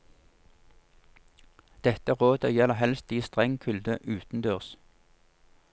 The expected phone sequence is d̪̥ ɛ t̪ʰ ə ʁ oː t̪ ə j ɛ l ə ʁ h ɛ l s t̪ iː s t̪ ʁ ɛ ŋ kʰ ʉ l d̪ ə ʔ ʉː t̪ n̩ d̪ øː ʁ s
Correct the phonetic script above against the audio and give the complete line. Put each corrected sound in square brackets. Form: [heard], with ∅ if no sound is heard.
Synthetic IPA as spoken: d̪̥ ɛ [t̪] ə ʁ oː [d̪] ə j ɛ l ə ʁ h ɛ l s t̪ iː s t̪ ʁ ɛ ŋ kʰ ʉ l d̪ ə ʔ ʉː t̪ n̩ d̪ øː ʁ s